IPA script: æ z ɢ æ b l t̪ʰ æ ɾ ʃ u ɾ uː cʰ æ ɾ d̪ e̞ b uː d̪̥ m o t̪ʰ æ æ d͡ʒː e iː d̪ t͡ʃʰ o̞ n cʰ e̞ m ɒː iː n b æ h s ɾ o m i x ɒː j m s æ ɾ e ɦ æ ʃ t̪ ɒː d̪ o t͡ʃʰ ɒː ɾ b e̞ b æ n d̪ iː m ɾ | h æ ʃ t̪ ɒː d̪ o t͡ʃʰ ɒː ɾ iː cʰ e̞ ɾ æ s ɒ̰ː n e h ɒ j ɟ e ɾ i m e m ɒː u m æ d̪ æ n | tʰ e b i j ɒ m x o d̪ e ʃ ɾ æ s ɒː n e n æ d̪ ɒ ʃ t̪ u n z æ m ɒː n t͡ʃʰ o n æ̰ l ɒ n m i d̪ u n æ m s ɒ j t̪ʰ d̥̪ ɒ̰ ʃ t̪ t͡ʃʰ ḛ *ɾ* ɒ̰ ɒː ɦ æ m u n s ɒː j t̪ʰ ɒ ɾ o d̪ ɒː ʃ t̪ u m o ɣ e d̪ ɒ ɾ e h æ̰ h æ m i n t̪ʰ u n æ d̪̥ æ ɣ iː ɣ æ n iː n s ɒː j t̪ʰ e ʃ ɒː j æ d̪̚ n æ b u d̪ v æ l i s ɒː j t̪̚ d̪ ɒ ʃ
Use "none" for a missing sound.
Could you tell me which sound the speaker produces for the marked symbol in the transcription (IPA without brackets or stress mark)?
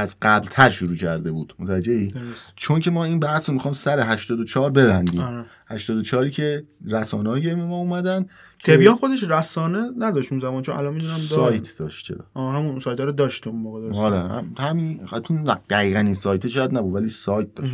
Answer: ɾ